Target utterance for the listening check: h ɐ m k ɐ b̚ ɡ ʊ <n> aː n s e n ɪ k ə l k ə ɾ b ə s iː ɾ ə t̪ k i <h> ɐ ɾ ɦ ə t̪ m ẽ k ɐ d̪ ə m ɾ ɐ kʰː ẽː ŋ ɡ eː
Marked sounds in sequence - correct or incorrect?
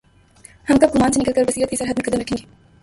incorrect: m, incorrect: s

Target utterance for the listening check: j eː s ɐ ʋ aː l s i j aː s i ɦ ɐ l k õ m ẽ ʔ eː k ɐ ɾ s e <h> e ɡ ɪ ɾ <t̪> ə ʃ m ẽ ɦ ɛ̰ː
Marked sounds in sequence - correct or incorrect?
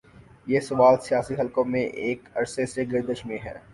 incorrect: s, incorrect: d̪

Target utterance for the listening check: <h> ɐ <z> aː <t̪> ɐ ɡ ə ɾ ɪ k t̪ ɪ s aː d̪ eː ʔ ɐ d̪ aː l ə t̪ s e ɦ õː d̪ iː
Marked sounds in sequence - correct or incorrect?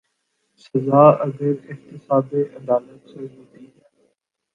incorrect: s, correct, incorrect: none

